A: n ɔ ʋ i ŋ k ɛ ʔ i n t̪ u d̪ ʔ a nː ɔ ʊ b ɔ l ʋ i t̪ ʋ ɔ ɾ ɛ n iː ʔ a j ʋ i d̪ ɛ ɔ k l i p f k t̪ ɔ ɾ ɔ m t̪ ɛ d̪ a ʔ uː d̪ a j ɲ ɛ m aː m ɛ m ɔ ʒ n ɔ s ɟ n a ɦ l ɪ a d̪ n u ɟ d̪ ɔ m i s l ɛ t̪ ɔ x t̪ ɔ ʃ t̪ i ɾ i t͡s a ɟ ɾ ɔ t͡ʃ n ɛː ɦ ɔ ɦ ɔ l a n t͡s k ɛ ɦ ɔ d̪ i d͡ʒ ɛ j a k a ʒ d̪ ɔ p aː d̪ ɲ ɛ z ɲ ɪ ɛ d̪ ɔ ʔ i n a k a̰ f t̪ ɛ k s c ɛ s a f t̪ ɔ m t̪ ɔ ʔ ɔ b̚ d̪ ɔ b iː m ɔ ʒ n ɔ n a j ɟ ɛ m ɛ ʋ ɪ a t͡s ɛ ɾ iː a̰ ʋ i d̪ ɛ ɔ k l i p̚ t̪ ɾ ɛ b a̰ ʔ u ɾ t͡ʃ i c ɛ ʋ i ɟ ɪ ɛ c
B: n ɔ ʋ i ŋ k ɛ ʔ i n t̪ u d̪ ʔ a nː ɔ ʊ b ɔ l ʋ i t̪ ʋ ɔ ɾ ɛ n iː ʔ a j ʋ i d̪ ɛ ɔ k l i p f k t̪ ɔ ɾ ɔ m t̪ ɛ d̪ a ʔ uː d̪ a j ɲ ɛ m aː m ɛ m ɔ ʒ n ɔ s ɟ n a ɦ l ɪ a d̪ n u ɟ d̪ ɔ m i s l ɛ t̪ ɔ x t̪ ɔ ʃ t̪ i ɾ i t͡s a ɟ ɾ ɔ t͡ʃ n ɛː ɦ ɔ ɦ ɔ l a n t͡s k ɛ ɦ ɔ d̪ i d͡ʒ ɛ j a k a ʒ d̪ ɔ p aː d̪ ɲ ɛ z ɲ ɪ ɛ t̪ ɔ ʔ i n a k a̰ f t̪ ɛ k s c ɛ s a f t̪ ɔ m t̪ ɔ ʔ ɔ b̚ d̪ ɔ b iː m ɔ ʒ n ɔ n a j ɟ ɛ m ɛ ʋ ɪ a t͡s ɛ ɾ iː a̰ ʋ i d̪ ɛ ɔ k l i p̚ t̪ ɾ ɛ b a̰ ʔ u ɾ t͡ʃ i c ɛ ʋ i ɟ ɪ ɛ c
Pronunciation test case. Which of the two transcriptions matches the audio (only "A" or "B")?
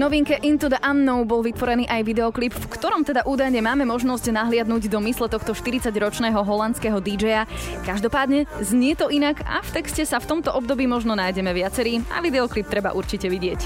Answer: B